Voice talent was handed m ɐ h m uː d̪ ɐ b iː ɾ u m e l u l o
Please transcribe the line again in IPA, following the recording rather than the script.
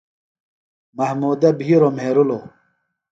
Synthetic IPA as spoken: m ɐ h m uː d̪ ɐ b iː ɾ o m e ɾ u l o